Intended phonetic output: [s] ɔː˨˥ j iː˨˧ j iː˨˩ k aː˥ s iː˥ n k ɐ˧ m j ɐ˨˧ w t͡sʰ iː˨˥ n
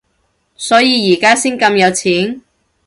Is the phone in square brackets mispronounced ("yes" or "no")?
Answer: no